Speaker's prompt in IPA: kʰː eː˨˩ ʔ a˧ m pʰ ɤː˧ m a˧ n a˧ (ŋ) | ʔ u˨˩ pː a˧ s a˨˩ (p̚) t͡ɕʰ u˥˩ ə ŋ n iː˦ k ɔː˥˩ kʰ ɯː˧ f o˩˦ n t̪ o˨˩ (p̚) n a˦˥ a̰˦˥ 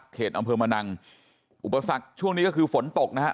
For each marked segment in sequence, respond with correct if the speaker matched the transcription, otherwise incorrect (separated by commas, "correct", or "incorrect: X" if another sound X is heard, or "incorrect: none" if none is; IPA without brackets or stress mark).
correct, incorrect: k̚, incorrect: k̚